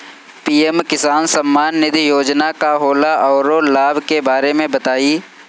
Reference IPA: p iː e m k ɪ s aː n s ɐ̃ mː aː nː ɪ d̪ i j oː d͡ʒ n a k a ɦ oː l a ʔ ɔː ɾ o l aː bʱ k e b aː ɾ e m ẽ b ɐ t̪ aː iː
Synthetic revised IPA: p iː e m k ɪ s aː n s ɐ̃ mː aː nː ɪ d̪ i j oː d͡ʒ n a k a ɦ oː l a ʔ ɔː ɾ o l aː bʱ k e b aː ɾ e m ẽ b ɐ t̪ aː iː